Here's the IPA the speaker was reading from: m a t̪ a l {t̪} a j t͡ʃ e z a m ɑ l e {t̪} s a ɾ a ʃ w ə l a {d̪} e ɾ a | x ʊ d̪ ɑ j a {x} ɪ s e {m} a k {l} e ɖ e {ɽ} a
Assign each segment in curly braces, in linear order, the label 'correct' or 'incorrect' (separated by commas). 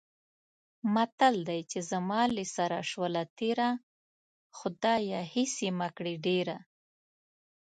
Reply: incorrect, incorrect, incorrect, incorrect, correct, incorrect, incorrect